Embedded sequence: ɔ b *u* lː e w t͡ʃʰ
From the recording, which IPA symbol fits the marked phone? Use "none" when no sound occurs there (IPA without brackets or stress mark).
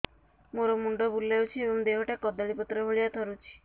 u